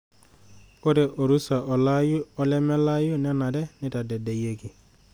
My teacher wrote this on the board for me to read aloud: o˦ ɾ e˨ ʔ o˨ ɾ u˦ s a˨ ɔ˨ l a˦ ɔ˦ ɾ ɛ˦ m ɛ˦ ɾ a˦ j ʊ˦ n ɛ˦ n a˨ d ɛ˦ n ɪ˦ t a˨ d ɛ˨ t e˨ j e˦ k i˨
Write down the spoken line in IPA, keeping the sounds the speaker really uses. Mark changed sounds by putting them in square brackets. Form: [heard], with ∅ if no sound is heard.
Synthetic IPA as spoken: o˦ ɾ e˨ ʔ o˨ ɾ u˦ s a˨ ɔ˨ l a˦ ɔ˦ [l] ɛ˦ m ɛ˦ [l] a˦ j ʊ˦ n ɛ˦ n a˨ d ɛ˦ n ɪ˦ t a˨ d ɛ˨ [d] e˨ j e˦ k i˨